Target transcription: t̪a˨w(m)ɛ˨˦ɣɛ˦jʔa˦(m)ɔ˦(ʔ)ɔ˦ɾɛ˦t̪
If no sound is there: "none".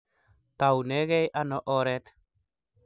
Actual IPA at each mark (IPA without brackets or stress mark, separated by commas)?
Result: n, n, ʔ